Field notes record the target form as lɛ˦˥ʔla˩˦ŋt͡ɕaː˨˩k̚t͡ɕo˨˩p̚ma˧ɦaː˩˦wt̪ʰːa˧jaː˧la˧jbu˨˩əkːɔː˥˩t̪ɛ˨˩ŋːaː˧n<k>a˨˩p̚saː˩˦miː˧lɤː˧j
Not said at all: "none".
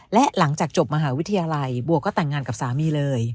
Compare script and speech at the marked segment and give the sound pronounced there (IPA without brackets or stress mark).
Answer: k